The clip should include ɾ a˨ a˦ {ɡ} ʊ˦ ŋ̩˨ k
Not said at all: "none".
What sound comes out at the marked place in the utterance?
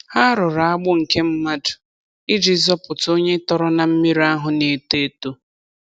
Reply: ɡ͡b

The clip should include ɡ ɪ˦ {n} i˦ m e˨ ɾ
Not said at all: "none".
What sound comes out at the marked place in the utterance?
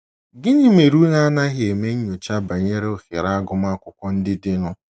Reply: ɲ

